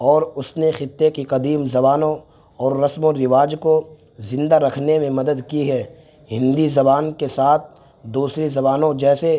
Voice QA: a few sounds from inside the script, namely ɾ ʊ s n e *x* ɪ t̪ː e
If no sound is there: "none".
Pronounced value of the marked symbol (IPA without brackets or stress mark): x